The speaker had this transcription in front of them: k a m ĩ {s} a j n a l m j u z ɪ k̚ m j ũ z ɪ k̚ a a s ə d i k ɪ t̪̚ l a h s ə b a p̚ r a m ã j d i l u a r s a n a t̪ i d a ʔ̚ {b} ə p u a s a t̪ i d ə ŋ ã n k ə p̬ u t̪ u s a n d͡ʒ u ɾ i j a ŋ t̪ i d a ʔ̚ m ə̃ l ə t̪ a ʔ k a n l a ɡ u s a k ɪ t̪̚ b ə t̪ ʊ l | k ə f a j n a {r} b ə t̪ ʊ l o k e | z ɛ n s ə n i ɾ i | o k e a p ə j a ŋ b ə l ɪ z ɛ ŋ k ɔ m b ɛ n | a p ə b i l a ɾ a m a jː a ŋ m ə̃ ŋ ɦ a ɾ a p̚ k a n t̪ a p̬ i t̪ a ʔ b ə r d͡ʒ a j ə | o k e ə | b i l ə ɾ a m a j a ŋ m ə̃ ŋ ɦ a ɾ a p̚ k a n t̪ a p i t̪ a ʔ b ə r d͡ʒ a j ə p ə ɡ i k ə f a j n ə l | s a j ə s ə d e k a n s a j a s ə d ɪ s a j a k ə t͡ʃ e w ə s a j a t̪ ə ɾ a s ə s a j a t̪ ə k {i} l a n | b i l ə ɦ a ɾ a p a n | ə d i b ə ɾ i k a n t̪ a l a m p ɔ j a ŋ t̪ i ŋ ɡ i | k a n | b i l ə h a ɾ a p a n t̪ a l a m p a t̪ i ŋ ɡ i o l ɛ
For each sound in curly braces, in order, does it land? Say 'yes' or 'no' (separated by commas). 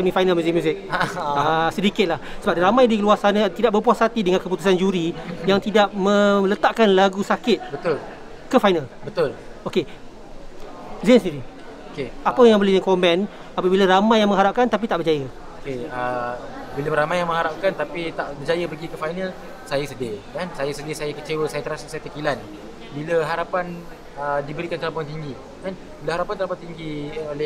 no, yes, no, yes